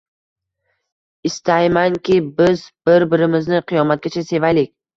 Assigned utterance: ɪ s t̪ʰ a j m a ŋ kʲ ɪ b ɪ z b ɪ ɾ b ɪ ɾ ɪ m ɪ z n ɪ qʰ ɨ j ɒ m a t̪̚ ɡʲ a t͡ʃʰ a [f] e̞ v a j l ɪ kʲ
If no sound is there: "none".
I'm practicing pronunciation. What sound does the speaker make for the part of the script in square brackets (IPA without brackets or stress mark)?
s